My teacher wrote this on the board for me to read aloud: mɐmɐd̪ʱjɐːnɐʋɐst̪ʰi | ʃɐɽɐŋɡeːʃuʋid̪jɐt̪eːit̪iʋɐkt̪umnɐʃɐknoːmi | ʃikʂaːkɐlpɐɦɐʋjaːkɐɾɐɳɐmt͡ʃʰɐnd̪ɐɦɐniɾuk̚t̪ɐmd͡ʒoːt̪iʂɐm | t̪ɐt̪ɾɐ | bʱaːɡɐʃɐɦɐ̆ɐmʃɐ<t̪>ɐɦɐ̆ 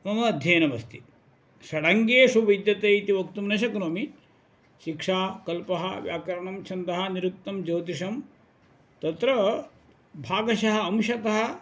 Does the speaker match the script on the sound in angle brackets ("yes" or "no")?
yes